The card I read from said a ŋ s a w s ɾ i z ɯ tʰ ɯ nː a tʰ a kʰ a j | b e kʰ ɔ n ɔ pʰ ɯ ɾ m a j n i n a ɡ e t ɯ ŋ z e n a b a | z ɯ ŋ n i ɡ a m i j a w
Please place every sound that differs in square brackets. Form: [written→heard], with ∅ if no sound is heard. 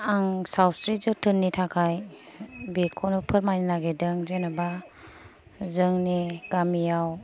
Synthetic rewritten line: a ŋ s a w s ɾ i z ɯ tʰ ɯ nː [a→i] tʰ a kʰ a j | b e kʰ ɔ n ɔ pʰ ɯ ɾ m a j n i n a ɡ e [t→d] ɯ ŋ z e n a b a | z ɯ ŋ n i ɡ a m i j a w